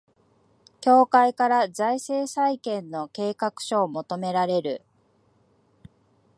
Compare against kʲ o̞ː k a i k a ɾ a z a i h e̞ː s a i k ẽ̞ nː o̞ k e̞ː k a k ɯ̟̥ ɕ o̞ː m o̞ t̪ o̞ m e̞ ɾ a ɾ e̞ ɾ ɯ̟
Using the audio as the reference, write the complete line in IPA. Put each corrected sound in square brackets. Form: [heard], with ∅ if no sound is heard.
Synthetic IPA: kʲ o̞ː k a i k a ɾ a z a i [s] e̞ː s a i k ẽ̞ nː o̞ k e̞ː k a k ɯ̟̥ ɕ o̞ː m o̞ t̪ o̞ m e̞ ɾ a ɾ e̞ ɾ ɯ̟